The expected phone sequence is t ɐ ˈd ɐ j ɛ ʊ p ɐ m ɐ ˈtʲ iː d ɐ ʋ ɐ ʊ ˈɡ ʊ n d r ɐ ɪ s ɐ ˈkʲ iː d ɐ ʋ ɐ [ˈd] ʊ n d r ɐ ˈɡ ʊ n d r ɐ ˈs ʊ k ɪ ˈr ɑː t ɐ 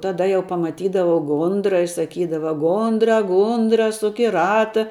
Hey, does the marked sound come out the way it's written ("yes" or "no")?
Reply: no